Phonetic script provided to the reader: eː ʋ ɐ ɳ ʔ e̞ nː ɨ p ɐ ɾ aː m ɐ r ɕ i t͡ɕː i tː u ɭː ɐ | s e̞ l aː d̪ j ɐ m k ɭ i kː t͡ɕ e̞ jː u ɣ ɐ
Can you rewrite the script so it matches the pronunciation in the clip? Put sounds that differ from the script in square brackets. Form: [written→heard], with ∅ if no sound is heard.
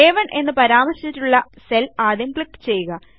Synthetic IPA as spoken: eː ʋ ɐ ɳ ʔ e̞ nː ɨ p ɐ ɾ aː m ɐ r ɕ i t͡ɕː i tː u ɭː ɐ | s e̞ l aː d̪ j ɐ m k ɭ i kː t͡ɕ e̞ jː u ɣ ɐ